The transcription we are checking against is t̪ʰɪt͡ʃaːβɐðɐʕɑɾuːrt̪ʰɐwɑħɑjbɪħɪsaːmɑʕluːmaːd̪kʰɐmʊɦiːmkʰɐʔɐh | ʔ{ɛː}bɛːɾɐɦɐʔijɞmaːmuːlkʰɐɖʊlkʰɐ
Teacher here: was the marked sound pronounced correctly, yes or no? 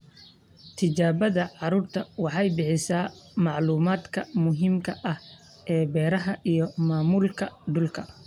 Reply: yes